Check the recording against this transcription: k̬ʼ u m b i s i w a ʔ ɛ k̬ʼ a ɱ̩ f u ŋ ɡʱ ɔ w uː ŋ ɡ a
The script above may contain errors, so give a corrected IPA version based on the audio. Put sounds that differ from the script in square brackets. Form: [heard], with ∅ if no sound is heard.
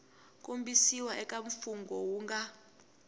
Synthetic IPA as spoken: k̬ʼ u m b i s i w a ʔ ɛ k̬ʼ a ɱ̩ f u ŋ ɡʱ ɔ w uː ŋ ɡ a